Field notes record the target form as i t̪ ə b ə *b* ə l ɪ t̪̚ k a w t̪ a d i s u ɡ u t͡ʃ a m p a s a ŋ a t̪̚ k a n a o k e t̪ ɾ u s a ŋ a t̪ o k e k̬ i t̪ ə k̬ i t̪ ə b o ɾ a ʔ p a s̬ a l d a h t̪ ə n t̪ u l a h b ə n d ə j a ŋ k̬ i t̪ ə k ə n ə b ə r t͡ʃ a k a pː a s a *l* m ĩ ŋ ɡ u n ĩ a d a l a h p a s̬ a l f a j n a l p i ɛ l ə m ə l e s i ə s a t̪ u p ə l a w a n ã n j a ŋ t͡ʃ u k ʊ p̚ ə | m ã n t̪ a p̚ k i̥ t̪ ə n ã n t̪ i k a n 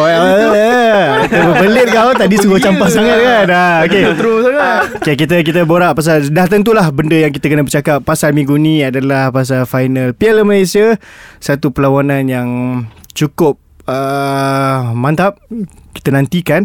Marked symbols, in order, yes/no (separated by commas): yes, yes